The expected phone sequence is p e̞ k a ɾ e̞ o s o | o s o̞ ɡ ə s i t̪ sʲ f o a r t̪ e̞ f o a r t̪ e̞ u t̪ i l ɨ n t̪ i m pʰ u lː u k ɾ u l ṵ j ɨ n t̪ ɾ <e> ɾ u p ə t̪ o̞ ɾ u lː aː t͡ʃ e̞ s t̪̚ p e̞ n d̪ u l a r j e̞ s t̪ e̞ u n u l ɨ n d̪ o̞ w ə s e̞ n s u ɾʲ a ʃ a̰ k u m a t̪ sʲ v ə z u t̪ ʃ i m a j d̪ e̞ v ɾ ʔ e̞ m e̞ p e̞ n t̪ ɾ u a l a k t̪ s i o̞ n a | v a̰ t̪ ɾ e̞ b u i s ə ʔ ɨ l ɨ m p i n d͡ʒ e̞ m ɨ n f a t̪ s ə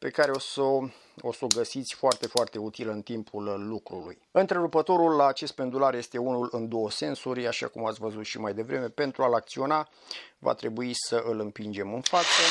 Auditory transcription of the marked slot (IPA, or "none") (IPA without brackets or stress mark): e